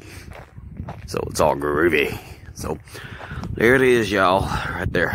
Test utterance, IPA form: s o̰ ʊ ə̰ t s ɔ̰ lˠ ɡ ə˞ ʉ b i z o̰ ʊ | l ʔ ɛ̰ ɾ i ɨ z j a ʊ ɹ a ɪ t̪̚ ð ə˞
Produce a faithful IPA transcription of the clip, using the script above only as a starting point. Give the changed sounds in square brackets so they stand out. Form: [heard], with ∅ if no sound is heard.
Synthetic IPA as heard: s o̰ ʊ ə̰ t s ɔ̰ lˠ ɡ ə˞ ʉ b i [s] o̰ ʊ | l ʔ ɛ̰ ɾ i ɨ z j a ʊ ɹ a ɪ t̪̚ ð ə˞